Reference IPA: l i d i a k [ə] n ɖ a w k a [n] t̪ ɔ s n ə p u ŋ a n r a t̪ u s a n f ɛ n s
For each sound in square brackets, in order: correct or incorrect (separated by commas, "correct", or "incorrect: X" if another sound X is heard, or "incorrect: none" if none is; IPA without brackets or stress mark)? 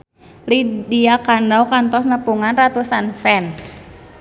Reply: incorrect: a, correct